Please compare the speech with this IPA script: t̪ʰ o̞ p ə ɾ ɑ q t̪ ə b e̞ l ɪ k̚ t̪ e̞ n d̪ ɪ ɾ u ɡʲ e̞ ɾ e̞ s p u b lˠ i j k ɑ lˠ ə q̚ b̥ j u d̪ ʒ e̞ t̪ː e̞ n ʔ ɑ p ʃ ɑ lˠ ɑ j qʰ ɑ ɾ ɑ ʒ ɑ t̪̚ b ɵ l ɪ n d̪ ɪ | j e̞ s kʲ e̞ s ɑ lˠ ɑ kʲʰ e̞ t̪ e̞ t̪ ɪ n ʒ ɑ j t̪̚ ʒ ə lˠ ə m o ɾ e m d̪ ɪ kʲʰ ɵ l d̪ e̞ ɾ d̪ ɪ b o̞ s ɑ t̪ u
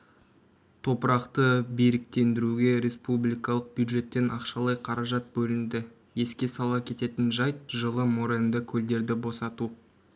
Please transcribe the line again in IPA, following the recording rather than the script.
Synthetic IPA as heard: t̪ʰ o̞ p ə ɾ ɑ q t̪ ə b e̞ ɾ ɪ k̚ t̪ e̞ n d̪ ɪ ɾ u ɡʲ e̞ ɾ e̞ s p u b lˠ i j k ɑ lˠ ə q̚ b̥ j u d̪ ʒ e̞ t̪ː e̞ n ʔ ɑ q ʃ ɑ lˠ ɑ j qʰ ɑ ɾ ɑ ʒ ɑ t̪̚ b ɵ l ɪ n d̪ ɪ | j e̞ s kʲ e̞ s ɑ lˠ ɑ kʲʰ e̞ t̪ e̞ t̪ ɪ n ʒ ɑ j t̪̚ ʒ ə lˠ ə m o ɾ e n d̪ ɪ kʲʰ ɵ l d̪ e̞ ɾ d̪ ɪ b o̞ s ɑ t̪ u